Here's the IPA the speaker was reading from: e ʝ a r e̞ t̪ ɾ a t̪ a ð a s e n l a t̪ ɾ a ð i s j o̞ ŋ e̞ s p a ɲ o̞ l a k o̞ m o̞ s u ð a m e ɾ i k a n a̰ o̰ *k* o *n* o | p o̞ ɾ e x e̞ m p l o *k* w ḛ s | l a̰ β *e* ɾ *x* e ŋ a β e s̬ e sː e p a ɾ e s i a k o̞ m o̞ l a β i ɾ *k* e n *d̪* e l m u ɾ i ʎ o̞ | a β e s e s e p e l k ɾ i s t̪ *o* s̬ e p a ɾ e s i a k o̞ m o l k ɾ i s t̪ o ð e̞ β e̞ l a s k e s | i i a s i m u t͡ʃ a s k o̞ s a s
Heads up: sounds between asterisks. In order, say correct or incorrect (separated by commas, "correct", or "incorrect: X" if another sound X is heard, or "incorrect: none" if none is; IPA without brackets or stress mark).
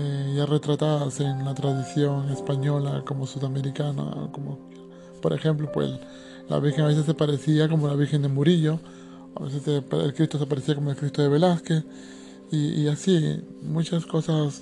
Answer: correct, incorrect: m, incorrect: p, incorrect: i, correct, incorrect: x, correct, correct